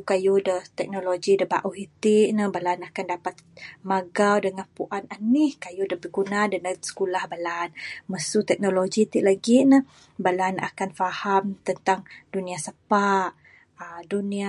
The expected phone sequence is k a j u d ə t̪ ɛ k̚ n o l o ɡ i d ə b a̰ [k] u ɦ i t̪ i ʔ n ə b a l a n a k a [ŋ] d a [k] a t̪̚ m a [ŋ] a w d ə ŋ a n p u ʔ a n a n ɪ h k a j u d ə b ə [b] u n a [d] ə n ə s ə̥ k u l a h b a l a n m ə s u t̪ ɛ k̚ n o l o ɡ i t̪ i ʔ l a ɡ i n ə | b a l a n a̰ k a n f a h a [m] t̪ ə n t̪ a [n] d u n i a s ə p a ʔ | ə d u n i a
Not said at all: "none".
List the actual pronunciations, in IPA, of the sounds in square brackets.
ʔ, n, p, ɡ, ɡ, d, m, ŋ

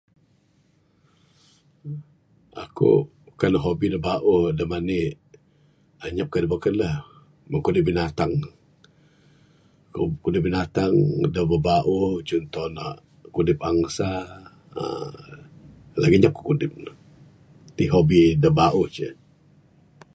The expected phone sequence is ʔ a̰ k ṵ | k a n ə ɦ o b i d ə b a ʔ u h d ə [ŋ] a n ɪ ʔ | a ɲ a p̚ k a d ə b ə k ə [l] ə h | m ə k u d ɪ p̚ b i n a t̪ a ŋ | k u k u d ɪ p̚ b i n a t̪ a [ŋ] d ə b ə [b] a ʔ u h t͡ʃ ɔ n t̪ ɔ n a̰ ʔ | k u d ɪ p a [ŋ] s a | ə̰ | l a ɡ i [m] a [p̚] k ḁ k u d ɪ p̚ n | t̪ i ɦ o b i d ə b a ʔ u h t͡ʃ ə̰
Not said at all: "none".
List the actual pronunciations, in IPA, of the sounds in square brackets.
m, l, ŋ, b, ŋ, ɲ, p̚

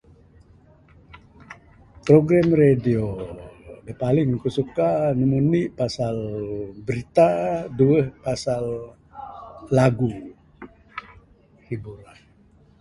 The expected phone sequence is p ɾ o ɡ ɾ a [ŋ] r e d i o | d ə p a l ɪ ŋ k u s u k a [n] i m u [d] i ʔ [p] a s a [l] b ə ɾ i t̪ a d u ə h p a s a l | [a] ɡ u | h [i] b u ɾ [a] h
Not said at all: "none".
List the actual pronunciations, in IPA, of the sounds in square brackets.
m, n, n, p, l, a, i, a

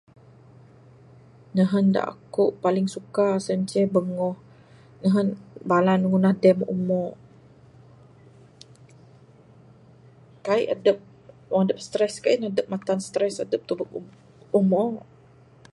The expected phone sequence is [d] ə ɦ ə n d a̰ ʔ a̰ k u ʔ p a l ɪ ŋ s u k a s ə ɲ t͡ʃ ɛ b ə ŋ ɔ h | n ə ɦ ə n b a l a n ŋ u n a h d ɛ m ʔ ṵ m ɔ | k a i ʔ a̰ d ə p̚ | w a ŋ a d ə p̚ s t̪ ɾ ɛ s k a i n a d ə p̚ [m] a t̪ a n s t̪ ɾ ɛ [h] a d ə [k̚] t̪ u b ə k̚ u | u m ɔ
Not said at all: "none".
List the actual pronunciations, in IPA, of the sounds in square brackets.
n, m, s, p̚

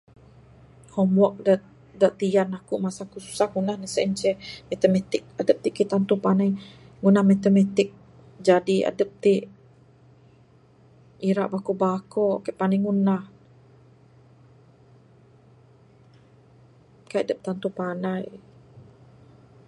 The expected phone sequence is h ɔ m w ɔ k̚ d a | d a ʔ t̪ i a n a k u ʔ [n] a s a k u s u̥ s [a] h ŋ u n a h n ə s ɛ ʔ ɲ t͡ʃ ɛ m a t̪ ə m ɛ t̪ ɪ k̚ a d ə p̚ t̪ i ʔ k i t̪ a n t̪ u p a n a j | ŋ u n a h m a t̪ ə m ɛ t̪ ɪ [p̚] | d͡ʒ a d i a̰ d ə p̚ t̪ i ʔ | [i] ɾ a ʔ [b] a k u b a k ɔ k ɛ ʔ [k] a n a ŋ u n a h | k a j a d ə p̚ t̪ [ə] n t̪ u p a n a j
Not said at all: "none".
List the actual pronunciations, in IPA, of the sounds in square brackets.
m, a, k̚, i, b, p, a

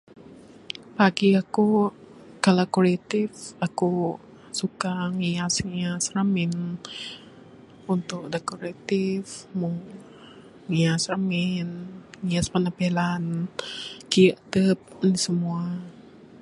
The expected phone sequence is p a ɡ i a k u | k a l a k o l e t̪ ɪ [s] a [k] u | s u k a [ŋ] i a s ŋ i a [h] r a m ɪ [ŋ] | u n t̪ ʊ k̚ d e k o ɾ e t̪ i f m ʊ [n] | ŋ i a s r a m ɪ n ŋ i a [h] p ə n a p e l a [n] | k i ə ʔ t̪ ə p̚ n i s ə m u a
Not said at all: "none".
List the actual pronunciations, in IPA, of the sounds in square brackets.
f, k, ŋ, s, n, ŋ, s, n

